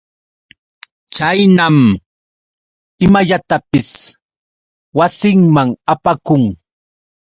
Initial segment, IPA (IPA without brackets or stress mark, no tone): t͡ʃ